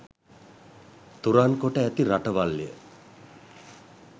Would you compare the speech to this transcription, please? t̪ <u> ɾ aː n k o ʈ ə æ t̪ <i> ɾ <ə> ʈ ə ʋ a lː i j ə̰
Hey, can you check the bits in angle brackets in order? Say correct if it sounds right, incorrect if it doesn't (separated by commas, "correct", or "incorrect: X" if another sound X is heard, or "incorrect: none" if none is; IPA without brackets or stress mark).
correct, correct, incorrect: a